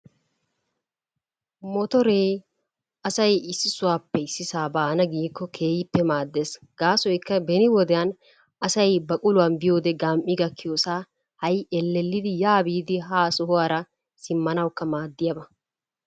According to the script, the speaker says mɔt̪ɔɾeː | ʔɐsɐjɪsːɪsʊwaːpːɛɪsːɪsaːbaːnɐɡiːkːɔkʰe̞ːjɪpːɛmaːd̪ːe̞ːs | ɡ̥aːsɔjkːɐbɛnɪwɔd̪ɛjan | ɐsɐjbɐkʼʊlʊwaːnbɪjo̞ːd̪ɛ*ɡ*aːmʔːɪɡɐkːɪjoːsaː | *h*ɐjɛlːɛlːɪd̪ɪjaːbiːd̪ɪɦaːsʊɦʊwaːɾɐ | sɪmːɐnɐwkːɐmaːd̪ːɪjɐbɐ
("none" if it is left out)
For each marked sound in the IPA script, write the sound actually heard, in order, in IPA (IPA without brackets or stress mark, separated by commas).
ɡ, h